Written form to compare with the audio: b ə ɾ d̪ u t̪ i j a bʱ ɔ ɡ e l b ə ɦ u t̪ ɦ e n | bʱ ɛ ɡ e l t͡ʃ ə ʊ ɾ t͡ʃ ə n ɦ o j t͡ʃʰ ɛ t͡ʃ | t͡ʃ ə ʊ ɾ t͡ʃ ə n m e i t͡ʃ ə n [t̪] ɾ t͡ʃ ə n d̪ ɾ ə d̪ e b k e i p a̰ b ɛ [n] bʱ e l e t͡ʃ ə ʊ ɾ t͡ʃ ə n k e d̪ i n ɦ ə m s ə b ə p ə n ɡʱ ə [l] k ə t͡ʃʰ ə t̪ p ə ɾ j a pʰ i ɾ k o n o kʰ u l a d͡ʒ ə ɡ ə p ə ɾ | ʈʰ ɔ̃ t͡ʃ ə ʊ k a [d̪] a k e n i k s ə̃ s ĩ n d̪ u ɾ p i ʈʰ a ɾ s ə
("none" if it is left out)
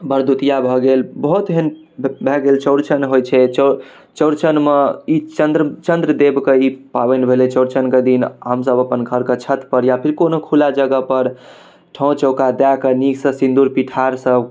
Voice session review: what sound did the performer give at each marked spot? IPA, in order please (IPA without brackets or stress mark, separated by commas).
d̪, n, ɾ, d̪